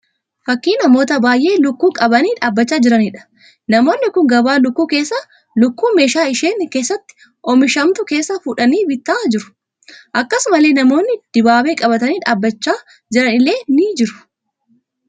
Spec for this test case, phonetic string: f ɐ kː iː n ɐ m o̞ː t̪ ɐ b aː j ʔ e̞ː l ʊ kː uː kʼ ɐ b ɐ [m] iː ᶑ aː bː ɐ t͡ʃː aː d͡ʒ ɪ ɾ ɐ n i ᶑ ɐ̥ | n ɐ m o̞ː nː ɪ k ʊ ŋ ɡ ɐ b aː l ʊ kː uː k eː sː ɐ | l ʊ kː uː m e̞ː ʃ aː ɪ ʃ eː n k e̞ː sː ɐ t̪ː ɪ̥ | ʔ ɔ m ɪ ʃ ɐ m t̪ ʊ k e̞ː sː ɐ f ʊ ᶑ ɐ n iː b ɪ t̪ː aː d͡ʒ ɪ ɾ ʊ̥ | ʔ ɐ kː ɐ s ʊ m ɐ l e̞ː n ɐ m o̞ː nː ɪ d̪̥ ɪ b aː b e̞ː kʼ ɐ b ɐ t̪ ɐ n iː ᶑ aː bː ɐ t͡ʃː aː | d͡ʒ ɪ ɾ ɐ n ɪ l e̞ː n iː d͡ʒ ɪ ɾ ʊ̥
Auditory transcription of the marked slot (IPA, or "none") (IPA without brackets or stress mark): n